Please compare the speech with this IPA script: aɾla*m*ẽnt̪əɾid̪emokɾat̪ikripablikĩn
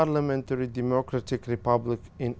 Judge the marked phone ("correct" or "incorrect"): correct